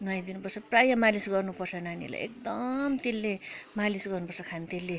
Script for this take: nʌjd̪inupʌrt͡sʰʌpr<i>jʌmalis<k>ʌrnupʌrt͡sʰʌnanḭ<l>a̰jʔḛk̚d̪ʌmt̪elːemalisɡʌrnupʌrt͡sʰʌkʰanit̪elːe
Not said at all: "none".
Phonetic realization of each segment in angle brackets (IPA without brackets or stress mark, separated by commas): a, ɡ, l